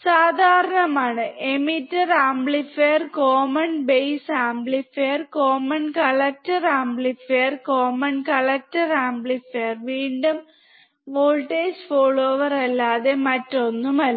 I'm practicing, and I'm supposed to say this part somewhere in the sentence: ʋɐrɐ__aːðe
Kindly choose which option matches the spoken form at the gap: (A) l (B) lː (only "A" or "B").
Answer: B